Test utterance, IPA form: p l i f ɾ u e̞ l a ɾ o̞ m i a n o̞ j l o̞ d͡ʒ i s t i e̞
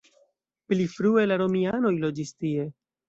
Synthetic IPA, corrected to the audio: p l i f ɾ u e̞ l a ɾ o̞ m i a n o̞ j l o̞ d͡ʒ i s t i e̞